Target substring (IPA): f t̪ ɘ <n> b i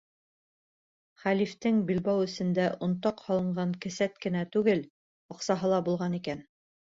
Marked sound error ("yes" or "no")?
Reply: yes